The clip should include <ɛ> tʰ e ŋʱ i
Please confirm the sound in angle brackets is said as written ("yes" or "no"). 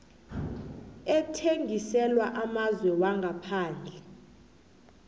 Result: yes